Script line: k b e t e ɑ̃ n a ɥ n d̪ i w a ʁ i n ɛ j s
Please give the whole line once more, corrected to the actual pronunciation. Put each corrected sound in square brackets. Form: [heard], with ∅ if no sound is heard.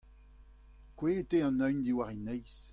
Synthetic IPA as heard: k [w] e t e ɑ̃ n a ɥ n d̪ i w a ʁ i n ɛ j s